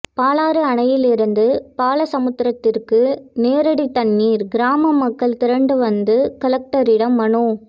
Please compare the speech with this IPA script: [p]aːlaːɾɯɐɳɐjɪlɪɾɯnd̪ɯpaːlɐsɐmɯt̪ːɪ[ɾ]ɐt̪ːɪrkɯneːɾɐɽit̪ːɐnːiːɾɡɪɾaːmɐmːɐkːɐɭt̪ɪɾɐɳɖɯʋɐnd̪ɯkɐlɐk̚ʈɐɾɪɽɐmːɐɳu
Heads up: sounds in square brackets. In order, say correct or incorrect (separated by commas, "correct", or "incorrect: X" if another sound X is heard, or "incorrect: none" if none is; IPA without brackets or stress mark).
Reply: correct, correct